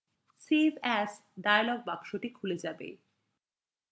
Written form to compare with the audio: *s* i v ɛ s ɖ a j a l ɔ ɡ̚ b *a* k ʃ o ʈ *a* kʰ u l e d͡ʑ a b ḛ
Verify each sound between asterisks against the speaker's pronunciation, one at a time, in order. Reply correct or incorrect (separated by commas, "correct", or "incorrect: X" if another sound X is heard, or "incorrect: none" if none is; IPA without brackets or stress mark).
correct, correct, incorrect: i